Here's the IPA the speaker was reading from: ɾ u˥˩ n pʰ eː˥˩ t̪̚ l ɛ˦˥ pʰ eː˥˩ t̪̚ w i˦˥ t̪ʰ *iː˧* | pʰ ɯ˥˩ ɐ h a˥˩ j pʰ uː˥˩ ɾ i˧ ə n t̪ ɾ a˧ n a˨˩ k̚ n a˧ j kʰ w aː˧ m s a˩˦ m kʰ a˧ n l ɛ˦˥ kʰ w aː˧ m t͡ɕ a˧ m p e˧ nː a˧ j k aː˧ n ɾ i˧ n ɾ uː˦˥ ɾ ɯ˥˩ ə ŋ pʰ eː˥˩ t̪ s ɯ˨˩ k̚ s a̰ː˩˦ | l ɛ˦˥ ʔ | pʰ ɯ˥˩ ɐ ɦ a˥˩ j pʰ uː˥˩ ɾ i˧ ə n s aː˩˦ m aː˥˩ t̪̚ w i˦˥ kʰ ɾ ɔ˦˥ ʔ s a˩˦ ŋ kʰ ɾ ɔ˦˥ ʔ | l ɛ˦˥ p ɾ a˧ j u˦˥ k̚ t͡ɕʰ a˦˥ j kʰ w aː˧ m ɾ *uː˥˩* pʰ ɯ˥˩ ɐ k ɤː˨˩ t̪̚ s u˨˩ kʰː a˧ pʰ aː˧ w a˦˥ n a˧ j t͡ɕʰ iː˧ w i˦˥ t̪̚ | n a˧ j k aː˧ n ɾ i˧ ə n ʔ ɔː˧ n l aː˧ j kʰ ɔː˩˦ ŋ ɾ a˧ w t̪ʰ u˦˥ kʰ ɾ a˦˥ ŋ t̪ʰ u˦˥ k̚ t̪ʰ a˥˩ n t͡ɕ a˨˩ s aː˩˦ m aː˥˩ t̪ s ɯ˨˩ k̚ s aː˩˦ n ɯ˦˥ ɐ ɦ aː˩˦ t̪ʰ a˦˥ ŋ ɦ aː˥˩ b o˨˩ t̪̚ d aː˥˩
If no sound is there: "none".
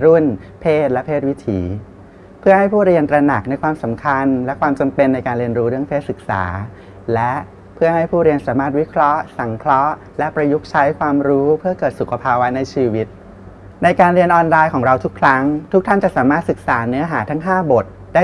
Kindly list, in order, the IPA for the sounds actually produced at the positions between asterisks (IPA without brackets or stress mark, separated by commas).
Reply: iː˩˦, uː˦˥